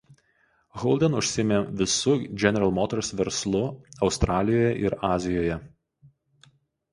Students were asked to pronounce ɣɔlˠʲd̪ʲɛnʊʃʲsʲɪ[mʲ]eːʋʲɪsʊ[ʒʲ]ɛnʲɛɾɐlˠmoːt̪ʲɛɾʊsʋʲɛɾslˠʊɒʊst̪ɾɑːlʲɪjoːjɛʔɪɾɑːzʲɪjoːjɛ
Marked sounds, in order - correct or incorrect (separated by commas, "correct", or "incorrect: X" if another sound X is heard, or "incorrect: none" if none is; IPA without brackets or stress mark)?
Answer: correct, incorrect: d͡ʒʲ